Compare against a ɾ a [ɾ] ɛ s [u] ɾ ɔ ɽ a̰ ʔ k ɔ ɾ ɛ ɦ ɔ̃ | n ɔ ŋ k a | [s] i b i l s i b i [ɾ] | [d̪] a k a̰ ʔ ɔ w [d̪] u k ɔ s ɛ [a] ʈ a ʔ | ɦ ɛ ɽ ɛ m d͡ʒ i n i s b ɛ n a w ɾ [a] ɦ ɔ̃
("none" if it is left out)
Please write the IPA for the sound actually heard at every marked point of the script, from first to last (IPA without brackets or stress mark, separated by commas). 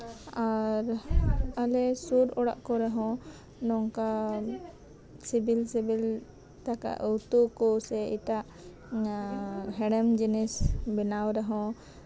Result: l, u, s, l, t̪, t̪, i, ɛ